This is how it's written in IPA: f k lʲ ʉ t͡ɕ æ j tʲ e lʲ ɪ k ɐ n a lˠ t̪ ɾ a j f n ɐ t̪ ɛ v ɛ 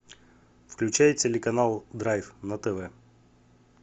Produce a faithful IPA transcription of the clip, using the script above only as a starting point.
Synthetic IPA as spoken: f k lʲ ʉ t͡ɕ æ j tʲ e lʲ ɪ k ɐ n a lˠ d̪ ɾ a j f n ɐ t̪ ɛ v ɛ